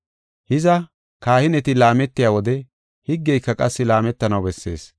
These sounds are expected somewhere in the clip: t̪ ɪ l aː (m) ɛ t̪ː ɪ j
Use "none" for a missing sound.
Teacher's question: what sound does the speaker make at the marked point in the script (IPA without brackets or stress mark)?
m